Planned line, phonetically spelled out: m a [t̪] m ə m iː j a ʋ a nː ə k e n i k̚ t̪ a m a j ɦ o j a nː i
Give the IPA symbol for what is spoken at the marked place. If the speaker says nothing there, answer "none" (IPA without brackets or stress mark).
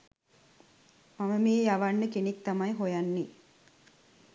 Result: none